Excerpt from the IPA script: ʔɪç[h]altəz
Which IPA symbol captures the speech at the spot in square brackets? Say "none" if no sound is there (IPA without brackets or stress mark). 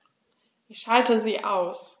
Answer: ʃ